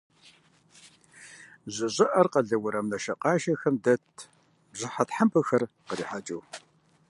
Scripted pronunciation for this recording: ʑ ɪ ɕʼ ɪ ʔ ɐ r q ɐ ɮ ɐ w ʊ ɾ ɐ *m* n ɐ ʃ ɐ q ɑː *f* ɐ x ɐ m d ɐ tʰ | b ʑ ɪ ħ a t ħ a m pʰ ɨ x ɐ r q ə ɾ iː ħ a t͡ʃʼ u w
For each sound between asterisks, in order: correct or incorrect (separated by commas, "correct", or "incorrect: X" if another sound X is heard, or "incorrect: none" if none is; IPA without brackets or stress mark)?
correct, incorrect: ʃ